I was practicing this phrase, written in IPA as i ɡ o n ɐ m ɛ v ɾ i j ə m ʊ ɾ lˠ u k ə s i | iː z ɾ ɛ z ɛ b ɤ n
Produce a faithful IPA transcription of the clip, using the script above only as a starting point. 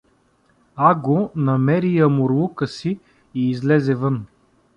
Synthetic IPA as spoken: a ɡ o n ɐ m ɛ ɾ i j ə m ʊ ɾ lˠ u k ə s i | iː z l ɛ z ɛ v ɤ n